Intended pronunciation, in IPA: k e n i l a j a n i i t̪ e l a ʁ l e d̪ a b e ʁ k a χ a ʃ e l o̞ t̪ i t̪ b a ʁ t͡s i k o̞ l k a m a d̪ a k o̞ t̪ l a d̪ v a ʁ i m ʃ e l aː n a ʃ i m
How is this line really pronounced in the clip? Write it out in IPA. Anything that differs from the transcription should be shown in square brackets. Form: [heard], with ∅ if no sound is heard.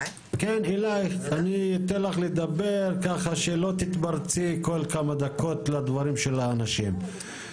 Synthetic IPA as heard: k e n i l a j a n i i t̪ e l a [χ] l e d̪ a b e ʁ k a χ a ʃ e l o̞ t̪ i t̪ b a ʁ t͡s i k o̞ l k a m a d̪ a k o̞ t̪ l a d̪ v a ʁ i m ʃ e l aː n a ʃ i m